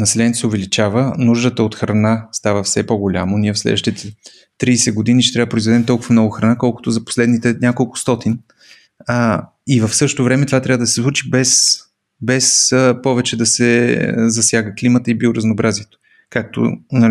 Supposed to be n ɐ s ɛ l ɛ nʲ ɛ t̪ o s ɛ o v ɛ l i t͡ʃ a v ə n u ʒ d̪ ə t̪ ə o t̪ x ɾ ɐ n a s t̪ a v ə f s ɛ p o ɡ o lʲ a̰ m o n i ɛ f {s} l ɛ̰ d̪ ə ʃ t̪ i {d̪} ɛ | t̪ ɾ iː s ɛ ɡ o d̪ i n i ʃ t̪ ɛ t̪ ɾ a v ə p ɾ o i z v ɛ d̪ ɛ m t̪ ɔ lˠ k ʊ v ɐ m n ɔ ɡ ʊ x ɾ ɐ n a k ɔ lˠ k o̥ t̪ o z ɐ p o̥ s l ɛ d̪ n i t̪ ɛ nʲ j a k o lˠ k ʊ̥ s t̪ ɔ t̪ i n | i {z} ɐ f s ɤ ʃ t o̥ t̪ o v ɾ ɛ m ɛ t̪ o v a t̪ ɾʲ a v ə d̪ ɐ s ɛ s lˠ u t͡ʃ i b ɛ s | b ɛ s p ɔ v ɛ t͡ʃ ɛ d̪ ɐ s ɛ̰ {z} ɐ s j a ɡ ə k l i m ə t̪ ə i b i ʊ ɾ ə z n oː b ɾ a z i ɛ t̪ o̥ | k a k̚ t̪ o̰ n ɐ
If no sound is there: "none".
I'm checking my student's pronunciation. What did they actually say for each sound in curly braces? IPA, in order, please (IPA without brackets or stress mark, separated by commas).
s, t̪, v, z